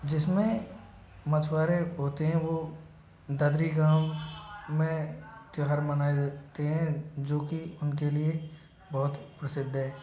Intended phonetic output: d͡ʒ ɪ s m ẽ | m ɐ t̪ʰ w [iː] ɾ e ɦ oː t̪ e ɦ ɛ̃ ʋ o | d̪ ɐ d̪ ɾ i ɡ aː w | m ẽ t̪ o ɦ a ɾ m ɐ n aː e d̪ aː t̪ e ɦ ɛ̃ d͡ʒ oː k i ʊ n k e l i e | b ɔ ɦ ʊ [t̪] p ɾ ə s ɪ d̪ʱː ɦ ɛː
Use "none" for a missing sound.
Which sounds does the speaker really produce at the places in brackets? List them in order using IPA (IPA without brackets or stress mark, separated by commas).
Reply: aː, t̪